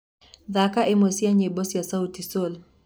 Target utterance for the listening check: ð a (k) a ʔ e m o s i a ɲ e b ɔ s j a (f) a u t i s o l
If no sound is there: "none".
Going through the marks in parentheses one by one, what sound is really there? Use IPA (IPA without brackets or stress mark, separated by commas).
k, s